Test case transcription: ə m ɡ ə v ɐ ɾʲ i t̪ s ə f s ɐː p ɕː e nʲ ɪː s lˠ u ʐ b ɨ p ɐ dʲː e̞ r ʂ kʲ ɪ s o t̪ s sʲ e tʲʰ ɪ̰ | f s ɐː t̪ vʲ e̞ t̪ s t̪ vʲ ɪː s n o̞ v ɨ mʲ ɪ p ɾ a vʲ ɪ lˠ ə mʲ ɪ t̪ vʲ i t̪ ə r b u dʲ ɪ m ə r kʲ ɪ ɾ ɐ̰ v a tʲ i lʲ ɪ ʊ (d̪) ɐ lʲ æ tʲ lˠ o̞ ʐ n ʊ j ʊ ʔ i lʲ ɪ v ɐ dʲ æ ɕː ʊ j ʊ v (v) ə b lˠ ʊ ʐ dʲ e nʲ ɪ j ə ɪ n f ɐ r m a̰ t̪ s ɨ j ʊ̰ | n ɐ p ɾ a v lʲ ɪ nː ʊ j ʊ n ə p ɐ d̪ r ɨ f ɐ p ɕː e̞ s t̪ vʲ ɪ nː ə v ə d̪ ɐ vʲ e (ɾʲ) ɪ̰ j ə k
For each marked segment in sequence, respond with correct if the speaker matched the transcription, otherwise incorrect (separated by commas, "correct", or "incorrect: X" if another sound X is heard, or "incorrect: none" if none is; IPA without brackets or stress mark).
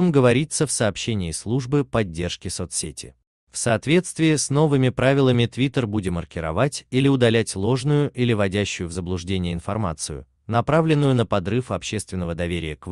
correct, incorrect: z, correct